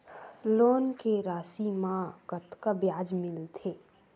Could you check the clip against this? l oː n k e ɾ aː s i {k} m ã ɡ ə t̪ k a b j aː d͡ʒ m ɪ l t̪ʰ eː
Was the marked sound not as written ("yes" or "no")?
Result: yes